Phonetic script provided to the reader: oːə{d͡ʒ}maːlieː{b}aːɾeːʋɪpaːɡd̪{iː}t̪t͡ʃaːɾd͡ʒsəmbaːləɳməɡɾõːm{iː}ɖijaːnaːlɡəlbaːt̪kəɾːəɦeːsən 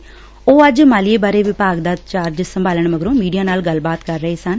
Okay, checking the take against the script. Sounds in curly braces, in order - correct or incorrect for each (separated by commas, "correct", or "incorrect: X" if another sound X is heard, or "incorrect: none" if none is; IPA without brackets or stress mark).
correct, correct, incorrect: aː, correct